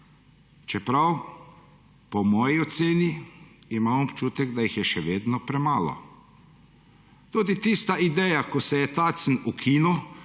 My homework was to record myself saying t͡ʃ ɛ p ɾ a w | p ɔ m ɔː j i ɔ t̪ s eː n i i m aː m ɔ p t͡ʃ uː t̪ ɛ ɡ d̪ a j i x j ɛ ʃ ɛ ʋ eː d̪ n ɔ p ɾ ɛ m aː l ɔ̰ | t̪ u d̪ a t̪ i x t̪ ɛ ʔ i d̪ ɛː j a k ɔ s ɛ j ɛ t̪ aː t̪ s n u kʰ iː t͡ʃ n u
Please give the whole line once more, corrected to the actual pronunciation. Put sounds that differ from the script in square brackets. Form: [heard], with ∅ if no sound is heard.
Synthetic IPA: t͡ʃ ɛ p ɾ a w | p ɔ m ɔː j i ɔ t̪ s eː n i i m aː m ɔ p t͡ʃ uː t̪ ɛ ɡ d̪ a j i x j ɛ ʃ ɛ ʋ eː d̪ n ɔ p ɾ ɛ m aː l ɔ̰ | t̪ u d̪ [i] t̪ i [s] t̪ [a] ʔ i d̪ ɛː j a k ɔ s ɛ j ɛ t̪ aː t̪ s n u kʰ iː [∅] n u

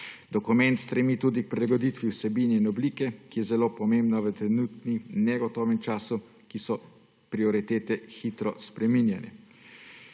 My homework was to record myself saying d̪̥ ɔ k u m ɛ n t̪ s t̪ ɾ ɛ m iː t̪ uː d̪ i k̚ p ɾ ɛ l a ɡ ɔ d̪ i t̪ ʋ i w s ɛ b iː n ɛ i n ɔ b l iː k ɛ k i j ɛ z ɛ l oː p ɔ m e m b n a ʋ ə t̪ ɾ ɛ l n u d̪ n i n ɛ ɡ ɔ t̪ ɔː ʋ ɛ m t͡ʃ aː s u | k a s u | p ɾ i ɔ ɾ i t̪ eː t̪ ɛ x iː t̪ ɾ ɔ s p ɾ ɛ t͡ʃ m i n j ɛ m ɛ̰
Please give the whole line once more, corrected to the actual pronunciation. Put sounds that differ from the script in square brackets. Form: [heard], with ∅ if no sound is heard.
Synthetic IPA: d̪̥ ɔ k u m ɛ n t̪ s t̪ ɾ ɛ m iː t̪ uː d̪ i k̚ p ɾ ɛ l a ɡ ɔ d̪ i t̪ ʋ i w s ɛ b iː n ɛ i n ɔ b l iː k ɛ k i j ɛ z ɛ l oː p ɔ m e m b n a ʋ ə t̪ ɾ ɛ [∅] n u [t̪] n i n ɛ ɡ ɔ t̪ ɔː ʋ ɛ m t͡ʃ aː s u | k [i] s [ɔ] | p ɾ i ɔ ɾ i t̪ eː t̪ ɛ x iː t̪ ɾ ɔ s p ɾ ɛ [∅] m i n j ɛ [n] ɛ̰

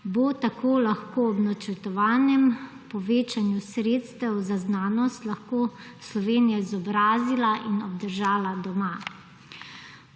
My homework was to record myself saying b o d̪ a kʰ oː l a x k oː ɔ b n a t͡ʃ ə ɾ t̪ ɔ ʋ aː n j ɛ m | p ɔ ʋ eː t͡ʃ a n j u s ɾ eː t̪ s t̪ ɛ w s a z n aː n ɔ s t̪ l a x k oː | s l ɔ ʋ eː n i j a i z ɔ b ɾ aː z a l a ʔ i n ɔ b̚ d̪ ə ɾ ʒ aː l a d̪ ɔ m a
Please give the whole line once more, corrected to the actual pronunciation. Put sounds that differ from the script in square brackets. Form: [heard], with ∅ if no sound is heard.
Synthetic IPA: b o [t̪] a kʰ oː l a x k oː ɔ b n a t͡ʃ ə ɾ t̪ ɔ ʋ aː n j ɛ m | p ɔ ʋ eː t͡ʃ a n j u s ɾ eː t̪ s t̪ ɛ w [z] a z n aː n ɔ s t̪ l a x k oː | s l ɔ ʋ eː n i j a i z ɔ b ɾ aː z [i] l a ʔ i n ɔ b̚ d̪ ə ɾ ʒ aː l a d̪ ɔ m a

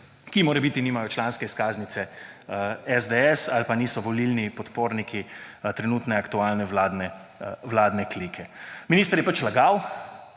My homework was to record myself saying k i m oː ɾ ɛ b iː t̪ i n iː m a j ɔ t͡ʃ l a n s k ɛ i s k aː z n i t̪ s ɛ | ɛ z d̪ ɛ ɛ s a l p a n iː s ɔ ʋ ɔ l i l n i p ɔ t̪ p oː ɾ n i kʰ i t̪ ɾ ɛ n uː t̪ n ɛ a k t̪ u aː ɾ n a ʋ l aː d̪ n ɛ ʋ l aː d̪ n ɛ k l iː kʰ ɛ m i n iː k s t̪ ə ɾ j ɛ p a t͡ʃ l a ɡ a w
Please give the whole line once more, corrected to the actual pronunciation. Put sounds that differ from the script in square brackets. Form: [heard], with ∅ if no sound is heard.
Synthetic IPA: k i m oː ɾ ɛ b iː t̪ i n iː m a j ɔ t͡ʃ l a n s k ɛ i s k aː z n i t̪ s ɛ | ɛ z d̪ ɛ ɛ s a l p a n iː s ɔ ʋ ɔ l i l n i p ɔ t̪ p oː ɾ n i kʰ i t̪ ɾ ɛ n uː t̪ n ɛ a k t̪ u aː [l] n [ɛ] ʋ l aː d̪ n ɛ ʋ l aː d̪ n ɛ k l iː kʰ ɛ m i n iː [∅] s t̪ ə ɾ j ɛ p a t͡ʃ l a ɡ a w

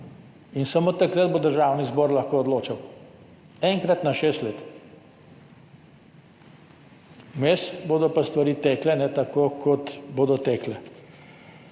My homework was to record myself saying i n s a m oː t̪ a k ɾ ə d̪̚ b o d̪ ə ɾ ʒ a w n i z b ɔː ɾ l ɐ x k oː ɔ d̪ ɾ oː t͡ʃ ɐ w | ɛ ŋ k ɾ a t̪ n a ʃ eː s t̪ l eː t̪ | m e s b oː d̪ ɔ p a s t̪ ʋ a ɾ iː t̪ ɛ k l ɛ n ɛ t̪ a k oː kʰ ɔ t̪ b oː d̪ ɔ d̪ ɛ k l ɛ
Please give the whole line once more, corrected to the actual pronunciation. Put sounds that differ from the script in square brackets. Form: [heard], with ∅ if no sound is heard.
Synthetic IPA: i n s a m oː t̪ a k ɾ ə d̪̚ b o d̪ ə ɾ ʒ a w n i z b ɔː ɾ l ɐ x k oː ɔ d̪ [l] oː t͡ʃ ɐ w | ɛ ŋ k ɾ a t̪ n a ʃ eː s t̪ l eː t̪ | m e s b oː d̪ ɔ p a s t̪ ʋ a ɾ iː t̪ ɛ k l ɛ n ɛ t̪ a k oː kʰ ɔ t̪ b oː d̪ ɔ [t̪] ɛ k l ɛ

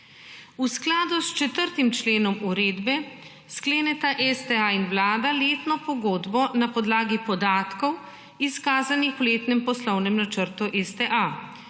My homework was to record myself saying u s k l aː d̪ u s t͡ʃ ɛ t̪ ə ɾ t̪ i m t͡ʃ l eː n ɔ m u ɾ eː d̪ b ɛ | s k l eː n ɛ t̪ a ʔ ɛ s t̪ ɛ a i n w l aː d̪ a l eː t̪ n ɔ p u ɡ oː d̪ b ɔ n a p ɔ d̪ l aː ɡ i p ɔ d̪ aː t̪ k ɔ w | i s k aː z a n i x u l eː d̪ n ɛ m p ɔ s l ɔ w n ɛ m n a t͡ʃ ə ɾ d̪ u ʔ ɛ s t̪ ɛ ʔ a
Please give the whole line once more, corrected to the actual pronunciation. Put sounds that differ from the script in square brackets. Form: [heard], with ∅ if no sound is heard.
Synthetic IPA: u s k l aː d̪ u s t͡ʃ ɛ t̪ ə ɾ t̪ i m t͡ʃ l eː n ɔ m u ɾ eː d̪ b ɛ | s k l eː n ɛ t̪ a ʔ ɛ s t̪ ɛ a i n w l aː d̪ a l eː t̪ n ɔ p [ɔ] ɡ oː d̪ b ɔ n a p ɔ d̪ l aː ɡ i p ɔ d̪ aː t̪ k ɔ w | i s k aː z a n i x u l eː [t̪] n ɛ m p ɔ s l ɔ w n ɛ m n a t͡ʃ ə ɾ [t̪] u ʔ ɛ s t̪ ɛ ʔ a

